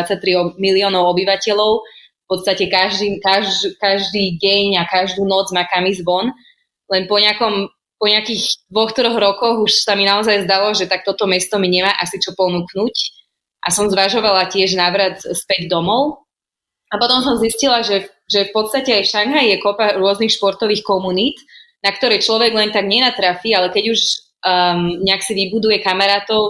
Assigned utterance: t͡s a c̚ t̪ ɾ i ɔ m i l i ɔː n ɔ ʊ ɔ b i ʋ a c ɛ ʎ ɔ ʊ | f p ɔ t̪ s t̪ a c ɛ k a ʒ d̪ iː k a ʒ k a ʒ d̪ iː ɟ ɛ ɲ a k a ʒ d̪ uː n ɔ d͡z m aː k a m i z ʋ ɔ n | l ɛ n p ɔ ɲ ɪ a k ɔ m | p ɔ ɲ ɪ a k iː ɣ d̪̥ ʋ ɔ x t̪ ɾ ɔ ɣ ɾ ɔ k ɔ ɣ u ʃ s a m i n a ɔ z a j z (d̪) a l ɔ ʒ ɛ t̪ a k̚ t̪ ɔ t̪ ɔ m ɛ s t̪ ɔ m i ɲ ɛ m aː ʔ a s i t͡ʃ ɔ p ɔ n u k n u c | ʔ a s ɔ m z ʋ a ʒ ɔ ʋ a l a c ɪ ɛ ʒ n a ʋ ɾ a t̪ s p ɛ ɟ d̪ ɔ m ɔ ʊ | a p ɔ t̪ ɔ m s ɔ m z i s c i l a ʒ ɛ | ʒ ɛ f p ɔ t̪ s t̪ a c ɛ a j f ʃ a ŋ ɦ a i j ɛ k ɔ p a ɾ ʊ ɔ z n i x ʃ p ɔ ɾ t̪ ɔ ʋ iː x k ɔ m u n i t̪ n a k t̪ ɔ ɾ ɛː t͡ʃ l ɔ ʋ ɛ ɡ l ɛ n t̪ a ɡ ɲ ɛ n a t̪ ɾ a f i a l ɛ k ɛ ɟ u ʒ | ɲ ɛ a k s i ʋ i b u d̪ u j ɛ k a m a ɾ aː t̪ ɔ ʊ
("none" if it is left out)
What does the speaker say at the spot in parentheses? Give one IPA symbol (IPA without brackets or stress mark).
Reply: d̪